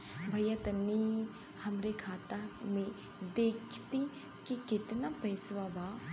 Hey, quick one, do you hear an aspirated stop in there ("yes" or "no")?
yes